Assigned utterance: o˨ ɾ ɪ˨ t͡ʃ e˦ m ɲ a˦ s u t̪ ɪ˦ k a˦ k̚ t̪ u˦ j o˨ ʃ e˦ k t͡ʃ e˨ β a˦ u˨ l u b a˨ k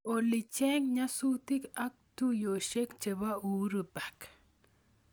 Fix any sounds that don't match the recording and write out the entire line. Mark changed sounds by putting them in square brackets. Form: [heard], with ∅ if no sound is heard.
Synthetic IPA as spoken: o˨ [l] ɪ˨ t͡ʃ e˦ [ŋ] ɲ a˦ s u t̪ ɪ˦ k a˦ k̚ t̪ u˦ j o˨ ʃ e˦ k t͡ʃ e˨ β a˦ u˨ [ɾ] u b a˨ k